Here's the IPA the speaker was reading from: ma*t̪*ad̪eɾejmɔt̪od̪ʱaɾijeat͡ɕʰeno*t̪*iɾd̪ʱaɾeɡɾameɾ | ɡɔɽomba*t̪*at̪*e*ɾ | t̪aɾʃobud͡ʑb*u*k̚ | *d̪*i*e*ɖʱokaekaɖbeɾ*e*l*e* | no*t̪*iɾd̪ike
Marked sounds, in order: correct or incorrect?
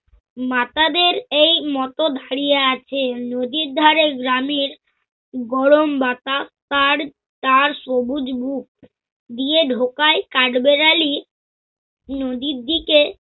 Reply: correct, incorrect, correct, incorrect, correct, correct, correct, incorrect, incorrect, incorrect

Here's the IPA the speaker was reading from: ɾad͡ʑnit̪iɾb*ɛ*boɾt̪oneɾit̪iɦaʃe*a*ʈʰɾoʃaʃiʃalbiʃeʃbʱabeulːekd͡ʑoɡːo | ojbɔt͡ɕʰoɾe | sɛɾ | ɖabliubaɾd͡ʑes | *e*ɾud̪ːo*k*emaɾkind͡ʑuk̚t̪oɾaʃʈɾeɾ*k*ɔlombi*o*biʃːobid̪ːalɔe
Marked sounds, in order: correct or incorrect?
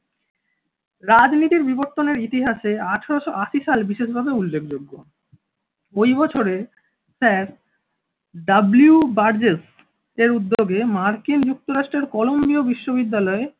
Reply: incorrect, correct, correct, incorrect, correct, correct

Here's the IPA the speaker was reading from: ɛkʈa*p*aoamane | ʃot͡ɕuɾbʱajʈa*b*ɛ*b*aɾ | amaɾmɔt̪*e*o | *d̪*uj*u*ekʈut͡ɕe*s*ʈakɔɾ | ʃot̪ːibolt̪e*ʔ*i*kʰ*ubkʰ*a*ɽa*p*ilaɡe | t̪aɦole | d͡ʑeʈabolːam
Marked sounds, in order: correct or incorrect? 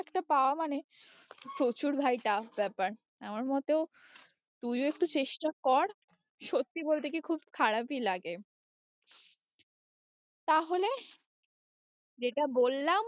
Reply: correct, correct, incorrect, correct, incorrect, incorrect, incorrect, incorrect, correct, correct, correct

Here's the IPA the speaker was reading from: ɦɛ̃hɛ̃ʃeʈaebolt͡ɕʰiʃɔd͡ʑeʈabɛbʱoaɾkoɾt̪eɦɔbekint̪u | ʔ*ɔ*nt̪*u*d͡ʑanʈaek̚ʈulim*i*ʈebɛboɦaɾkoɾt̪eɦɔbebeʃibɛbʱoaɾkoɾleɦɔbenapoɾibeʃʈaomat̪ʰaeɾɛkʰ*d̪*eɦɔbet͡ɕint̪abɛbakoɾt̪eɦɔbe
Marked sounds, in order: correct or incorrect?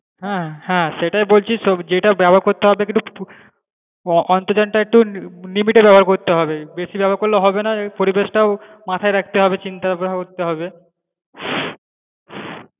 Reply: correct, incorrect, correct, incorrect

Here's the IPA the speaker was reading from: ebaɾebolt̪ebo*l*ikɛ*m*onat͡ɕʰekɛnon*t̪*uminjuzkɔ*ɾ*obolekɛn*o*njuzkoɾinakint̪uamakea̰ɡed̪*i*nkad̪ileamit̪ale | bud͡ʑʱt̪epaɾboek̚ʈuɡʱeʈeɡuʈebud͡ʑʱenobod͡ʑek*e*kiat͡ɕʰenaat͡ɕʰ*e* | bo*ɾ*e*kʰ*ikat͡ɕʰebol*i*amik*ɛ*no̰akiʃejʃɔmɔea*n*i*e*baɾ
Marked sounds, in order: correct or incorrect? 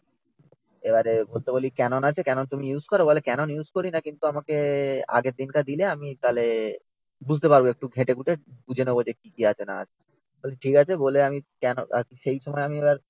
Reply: correct, incorrect, correct, correct, correct, correct, incorrect, correct, incorrect, incorrect, incorrect, correct, incorrect, correct

